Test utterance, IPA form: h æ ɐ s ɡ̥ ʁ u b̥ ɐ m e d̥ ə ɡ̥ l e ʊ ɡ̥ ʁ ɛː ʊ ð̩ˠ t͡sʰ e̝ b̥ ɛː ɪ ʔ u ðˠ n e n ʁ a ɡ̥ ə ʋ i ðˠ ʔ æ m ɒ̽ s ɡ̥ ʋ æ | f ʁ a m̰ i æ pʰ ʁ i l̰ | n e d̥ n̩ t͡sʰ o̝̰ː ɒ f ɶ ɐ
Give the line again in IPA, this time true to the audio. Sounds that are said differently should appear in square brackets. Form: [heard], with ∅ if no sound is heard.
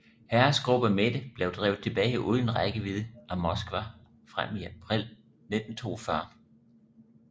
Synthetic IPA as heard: h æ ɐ s ɡ̥ ʁ u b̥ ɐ m e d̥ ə [b̥] l e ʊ [d̥] ʁ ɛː ʊ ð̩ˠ t͡sʰ e̝ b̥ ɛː ɪ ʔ u ðˠ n e n ʁ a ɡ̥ ə ʋ i ðˠ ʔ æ m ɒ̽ s ɡ̥ ʋ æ | f ʁ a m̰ i æ pʰ ʁ i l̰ | n e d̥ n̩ t͡sʰ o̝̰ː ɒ f ɶ ɐ